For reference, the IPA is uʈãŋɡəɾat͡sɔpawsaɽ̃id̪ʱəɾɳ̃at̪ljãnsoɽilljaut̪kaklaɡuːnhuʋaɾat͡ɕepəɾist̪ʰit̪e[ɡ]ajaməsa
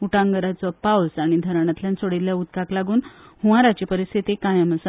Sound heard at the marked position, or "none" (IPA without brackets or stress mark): k